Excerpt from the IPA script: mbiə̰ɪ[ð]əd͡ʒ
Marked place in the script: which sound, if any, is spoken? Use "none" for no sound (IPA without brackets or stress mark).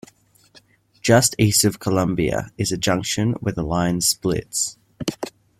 z